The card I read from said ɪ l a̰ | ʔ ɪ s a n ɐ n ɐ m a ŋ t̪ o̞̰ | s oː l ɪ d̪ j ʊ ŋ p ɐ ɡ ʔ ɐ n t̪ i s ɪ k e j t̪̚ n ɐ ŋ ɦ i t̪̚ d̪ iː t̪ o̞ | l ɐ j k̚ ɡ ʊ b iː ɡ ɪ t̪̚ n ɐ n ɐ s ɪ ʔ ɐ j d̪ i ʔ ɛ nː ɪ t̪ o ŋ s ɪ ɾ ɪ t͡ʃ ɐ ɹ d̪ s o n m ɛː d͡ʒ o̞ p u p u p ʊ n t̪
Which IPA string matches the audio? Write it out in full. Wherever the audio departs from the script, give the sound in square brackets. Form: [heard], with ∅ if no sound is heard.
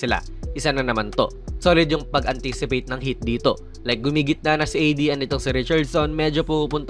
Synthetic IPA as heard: ɪ l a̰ | ʔ ɪ s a n ɐ n ɐ m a [n] t̪ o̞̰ | s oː l ɪ d̪ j ʊ ŋ p ɐ ɡ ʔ ɐ n t̪ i s ɪ [p] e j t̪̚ n ɐ ŋ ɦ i t̪̚ d̪ iː t̪ o̞ | l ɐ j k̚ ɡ ʊ [m] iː ɡ ɪ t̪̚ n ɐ n ɐ s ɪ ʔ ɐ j d̪ i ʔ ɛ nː ɪ t̪ o ŋ s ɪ ɾ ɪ t͡ʃ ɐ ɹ d̪ s o n m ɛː d͡ʒ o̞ p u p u p ʊ n t̪